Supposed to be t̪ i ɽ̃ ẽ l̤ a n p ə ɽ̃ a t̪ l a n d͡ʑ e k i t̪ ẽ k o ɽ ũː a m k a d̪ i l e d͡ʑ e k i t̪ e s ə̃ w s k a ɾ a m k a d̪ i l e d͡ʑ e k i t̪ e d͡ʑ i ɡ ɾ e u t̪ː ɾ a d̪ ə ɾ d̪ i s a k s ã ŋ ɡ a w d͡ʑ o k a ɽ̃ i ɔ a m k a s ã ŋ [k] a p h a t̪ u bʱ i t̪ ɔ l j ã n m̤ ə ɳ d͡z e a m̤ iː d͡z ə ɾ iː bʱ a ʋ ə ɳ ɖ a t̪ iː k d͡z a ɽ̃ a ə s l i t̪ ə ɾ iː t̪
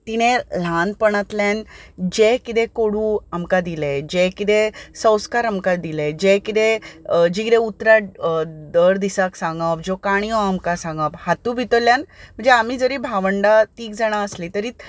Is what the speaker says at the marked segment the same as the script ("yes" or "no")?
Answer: no